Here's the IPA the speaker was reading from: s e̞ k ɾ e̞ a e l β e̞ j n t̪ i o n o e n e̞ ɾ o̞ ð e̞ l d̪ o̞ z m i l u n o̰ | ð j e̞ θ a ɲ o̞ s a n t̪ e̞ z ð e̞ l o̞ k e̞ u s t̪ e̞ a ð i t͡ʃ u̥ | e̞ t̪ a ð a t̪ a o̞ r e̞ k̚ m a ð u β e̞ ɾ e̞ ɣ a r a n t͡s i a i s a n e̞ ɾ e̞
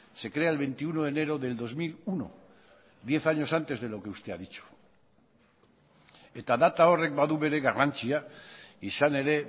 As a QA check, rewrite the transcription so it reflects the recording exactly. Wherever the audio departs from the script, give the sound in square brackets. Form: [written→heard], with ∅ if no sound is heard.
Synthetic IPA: s e̞ k ɾ e̞ a e l β e̞ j n t̪ i [o→u] n o e n e̞ ɾ o̞ ð e̞ l d̪ o̞ z m i l u n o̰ | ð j e̞ θ a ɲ o̞ s a n t̪ e̞ z ð e̞ l o̞ k e̞ u s t̪ e̞ a ð i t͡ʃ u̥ | e̞ t̪ a ð a t̪ a o̞ r e̞ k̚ [m→b] a ð u β e̞ ɾ e̞ ɣ a r a n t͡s i a i s a n e̞ ɾ e̞